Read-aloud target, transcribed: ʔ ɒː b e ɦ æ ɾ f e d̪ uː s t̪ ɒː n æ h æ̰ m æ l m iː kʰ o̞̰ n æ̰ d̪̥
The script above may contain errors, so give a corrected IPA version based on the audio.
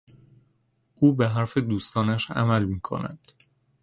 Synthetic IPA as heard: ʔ uː b e ɦ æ ɾ f e d̪ uː s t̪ ɒː n æ ʃ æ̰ m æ l m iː kʰ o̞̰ n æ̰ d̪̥